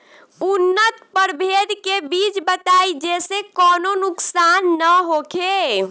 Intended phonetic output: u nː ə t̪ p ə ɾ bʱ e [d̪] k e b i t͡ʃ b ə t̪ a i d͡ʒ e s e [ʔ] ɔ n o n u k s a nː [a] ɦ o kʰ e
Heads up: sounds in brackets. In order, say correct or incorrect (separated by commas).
correct, incorrect, incorrect